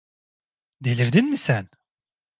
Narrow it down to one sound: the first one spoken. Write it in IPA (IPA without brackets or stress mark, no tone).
d̪